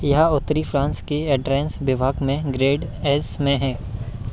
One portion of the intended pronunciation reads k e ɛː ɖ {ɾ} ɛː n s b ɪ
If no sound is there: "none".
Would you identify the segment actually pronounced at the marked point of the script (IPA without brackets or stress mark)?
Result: ɾ